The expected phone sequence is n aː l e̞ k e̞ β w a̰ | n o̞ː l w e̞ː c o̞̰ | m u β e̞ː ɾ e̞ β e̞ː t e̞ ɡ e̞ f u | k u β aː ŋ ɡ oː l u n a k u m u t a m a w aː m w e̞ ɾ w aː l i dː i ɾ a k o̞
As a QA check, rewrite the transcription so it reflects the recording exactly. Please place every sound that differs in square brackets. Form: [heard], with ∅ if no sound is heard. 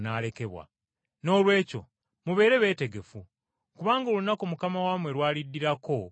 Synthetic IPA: n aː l e̞ k e̞ β w a̰ | n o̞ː l w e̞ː c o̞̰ | m u β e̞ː ɾ e̞ β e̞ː t e̞ ɡ e̞ f u | k u β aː ŋ ɡ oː l u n a k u m u [k] a m a w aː m w e̞ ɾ w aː l i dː i ɾ a k o̞